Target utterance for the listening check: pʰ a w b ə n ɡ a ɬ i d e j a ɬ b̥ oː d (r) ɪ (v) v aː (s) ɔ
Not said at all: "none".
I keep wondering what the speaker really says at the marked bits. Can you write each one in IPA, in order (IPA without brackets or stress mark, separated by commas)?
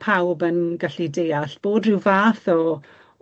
r, w, θ